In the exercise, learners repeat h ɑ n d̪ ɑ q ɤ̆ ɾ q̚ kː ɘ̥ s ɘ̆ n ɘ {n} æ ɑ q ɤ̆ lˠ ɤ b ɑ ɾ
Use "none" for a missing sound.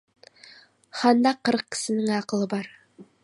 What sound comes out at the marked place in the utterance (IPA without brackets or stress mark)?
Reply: ŋ